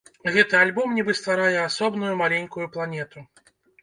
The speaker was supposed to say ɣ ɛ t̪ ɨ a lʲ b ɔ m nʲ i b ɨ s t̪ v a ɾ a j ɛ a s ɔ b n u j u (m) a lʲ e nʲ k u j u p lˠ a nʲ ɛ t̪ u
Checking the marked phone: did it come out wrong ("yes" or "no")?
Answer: no